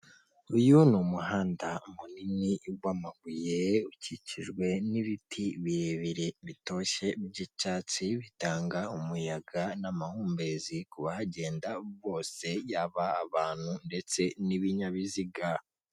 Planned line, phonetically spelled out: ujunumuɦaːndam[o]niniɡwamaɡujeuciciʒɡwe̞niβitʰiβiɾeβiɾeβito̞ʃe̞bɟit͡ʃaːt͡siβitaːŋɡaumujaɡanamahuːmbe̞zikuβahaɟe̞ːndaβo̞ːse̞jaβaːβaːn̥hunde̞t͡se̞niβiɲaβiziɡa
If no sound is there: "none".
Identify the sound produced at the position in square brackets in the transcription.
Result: u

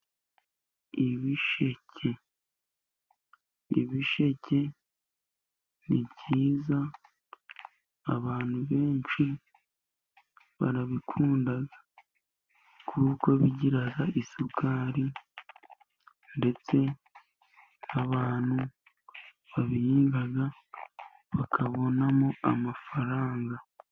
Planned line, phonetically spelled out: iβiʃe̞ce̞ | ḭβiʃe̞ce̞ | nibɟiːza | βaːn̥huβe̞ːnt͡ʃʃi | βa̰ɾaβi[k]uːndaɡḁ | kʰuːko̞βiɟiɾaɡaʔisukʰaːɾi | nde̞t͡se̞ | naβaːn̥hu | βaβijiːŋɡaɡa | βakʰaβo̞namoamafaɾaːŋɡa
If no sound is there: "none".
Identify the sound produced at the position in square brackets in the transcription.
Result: kʰ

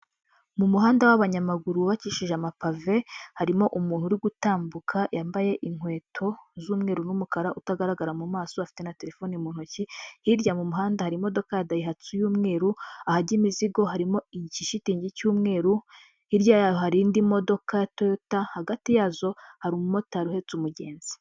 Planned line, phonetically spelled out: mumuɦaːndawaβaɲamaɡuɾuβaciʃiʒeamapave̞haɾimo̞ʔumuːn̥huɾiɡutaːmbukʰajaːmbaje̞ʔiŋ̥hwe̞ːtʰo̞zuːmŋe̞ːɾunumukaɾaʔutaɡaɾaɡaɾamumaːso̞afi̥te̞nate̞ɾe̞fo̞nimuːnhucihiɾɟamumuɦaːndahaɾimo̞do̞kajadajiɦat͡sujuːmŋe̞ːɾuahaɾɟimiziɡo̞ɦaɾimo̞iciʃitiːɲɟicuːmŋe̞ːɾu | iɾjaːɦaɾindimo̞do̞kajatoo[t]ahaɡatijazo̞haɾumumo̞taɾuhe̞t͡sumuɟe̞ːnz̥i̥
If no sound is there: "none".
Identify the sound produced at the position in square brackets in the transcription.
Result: t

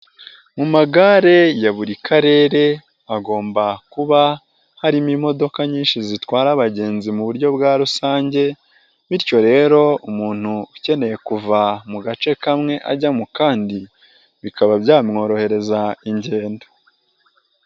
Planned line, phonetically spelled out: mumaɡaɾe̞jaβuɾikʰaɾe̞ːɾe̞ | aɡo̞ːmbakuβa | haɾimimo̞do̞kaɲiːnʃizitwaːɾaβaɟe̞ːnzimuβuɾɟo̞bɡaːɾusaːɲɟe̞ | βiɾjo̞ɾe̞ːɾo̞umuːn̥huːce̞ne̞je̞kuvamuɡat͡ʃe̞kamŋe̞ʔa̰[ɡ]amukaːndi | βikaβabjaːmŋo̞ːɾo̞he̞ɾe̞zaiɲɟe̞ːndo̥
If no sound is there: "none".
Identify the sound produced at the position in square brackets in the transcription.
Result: ɟ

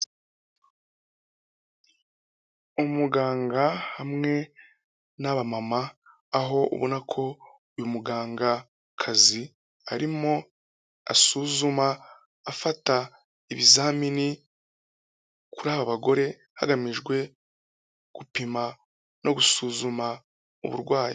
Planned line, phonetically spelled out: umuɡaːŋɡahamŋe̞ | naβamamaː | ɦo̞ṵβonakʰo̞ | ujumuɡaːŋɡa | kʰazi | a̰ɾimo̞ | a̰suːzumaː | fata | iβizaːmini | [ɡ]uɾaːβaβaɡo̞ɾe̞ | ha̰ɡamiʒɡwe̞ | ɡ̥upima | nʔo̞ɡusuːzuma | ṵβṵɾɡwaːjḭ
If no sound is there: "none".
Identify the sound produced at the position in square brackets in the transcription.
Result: k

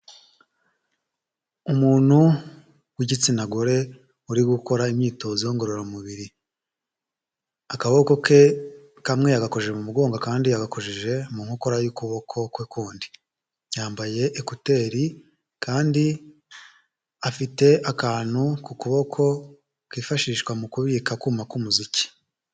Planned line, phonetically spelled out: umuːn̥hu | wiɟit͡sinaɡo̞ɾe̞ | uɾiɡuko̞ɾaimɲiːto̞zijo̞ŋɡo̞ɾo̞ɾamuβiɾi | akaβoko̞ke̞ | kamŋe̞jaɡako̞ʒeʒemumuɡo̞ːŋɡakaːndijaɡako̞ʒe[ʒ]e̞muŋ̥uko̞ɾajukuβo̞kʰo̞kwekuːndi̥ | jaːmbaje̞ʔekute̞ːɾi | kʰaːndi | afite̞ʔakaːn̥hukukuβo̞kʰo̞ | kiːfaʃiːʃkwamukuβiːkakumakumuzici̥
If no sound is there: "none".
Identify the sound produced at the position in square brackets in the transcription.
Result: ʒ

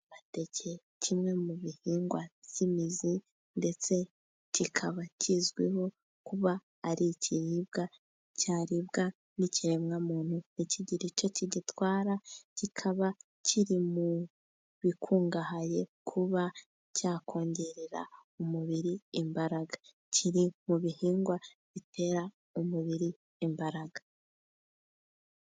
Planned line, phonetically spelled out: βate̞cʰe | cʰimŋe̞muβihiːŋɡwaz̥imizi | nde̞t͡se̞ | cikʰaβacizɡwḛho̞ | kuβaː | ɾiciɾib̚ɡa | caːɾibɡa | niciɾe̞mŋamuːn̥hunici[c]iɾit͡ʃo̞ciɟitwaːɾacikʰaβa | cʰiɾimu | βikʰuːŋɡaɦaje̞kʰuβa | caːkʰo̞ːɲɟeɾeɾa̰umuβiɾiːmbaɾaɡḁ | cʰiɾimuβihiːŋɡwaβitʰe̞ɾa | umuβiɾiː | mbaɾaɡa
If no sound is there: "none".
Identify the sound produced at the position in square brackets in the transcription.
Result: ɟ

